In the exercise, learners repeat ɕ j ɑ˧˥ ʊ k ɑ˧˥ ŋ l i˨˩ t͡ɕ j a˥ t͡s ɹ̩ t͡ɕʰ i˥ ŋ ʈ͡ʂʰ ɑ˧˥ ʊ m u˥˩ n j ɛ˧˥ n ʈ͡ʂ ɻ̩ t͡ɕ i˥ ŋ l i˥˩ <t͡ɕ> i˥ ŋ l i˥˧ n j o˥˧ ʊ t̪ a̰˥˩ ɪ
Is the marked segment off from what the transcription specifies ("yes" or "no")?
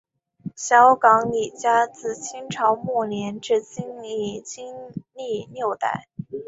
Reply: no